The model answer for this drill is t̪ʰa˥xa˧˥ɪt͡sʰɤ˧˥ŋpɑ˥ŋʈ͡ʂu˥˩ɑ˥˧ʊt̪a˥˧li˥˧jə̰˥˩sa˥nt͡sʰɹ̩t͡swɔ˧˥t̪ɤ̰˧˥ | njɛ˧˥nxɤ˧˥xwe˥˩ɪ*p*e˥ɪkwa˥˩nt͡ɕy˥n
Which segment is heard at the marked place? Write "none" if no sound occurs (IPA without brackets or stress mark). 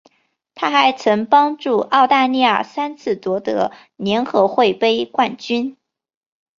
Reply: p